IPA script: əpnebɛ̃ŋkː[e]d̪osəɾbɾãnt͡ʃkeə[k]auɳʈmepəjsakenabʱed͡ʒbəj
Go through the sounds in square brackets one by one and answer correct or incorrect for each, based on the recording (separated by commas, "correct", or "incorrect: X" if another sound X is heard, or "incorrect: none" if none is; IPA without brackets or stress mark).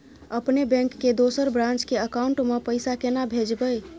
correct, correct